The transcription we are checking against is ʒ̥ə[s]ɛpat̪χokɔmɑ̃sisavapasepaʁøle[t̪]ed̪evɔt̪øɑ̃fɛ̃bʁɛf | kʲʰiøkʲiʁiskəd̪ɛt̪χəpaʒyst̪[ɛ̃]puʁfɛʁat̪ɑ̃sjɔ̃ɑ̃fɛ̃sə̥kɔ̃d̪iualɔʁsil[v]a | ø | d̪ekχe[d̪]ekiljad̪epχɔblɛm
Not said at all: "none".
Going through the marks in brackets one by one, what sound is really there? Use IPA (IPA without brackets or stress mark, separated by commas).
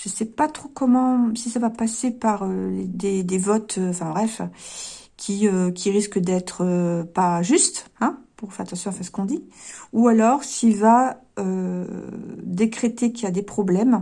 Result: s, d̪, ɛ̃, v, t̪